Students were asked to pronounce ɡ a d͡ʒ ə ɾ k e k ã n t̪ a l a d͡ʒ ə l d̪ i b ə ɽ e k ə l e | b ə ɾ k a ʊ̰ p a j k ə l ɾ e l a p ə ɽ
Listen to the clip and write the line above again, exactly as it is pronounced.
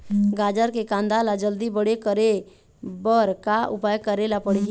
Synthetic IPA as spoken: ɡ a d͡ʒ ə ɾ k e k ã n d̪ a l a d͡ʒ ə l d̪ i b ə ɽ e k ə ɾ e | b ə ɾ k a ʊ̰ p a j k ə ɾ e l a p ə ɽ